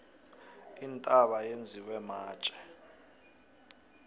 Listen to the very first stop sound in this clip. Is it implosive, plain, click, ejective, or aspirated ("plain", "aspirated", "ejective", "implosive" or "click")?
ejective